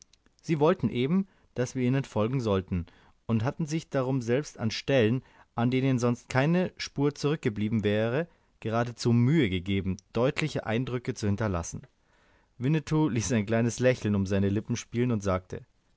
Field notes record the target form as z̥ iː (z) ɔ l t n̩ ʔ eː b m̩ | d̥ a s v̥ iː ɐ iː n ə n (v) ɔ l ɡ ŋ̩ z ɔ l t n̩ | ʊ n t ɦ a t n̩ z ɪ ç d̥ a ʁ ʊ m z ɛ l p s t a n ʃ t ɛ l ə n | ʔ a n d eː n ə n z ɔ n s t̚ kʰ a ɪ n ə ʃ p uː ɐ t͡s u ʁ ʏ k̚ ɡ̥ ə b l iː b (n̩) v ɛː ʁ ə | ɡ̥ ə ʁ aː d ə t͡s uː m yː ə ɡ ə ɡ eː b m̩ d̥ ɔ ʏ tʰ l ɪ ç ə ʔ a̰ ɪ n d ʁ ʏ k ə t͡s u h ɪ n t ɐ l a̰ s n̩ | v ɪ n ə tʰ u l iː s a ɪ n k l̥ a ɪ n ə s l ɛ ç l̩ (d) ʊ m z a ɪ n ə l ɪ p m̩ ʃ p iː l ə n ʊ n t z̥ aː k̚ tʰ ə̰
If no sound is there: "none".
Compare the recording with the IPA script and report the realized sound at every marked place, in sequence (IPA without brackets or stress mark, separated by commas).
v, f, m̩, n